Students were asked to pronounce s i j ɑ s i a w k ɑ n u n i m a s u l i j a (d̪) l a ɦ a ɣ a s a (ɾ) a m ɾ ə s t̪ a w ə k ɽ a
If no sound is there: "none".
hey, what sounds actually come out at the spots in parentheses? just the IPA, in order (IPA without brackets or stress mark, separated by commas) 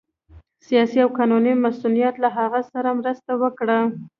t̪, ɾ